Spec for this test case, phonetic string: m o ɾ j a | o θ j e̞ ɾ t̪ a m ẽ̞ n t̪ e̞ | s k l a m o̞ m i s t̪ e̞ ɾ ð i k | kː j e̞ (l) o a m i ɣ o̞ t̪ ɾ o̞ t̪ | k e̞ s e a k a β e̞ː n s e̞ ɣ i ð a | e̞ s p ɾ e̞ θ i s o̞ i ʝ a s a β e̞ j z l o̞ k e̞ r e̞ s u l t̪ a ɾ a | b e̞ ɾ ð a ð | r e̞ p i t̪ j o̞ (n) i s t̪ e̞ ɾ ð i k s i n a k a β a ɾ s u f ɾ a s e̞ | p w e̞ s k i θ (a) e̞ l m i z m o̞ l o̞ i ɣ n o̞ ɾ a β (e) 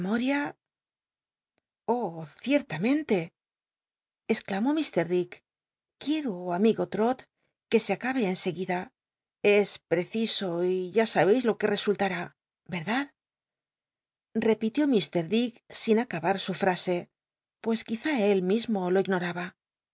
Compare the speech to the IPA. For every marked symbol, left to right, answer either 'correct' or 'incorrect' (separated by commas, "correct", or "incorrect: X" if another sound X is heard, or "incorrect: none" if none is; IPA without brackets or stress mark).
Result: incorrect: ɾ, incorrect: m, correct, incorrect: a